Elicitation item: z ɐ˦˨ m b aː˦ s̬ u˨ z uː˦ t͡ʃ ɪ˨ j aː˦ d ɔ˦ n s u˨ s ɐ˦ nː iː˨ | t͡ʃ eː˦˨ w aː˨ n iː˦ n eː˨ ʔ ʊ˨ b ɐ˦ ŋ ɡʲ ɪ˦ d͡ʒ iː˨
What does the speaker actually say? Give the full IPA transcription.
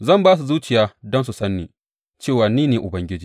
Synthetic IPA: z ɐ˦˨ m b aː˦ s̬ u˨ z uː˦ t͡ʃ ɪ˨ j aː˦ d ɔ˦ n s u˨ s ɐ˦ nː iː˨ | t͡ʃ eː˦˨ w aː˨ n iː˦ n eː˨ ʔ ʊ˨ b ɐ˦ ŋ ɡʲ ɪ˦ d͡ʒ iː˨